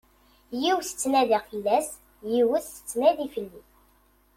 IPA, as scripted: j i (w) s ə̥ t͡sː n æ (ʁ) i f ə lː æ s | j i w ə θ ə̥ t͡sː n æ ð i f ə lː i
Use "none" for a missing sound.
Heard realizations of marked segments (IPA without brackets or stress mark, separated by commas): w, ð